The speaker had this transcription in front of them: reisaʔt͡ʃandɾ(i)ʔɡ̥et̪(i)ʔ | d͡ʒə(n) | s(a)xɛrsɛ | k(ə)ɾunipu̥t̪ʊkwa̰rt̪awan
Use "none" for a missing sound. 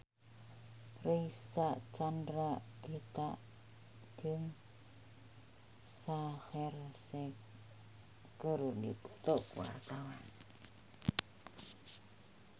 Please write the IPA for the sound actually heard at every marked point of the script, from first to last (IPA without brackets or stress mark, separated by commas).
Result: a, a, ŋ, a, ə